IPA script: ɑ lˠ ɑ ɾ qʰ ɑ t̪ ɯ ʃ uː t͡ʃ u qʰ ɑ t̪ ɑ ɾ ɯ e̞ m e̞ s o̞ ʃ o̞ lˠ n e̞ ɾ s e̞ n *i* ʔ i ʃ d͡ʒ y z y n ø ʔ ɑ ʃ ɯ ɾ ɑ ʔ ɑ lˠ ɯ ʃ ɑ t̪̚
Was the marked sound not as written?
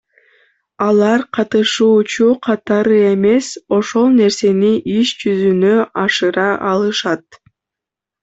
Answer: no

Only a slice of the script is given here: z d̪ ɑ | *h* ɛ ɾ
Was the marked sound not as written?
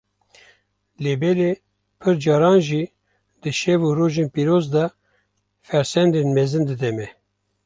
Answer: yes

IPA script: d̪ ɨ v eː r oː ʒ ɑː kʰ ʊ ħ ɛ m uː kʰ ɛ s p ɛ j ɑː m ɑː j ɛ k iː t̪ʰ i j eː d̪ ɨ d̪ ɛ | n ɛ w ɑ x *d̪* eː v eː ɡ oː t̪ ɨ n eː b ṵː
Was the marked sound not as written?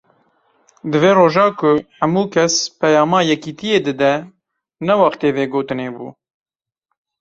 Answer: yes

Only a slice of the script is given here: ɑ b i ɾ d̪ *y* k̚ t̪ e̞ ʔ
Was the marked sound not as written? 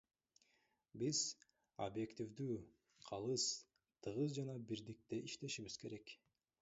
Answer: yes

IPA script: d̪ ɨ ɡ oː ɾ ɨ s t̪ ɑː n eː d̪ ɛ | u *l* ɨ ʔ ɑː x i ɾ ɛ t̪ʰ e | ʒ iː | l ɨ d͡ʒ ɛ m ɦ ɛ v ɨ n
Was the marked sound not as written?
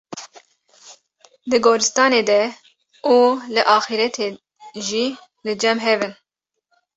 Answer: no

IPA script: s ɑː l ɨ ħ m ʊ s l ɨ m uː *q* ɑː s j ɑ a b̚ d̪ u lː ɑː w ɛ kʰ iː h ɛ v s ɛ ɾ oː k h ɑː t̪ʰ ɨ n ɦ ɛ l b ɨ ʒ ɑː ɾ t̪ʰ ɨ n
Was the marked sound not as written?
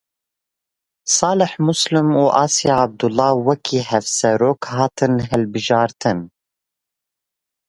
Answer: yes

